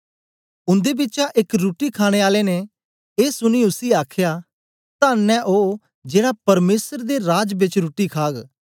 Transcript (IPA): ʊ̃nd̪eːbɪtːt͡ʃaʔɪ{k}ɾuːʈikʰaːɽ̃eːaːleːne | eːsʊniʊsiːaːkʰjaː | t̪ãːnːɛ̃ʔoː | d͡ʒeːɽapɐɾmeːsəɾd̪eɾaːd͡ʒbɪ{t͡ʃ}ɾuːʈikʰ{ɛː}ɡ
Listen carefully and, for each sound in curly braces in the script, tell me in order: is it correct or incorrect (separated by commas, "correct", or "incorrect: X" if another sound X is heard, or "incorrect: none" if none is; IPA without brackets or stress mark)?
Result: correct, correct, incorrect: aː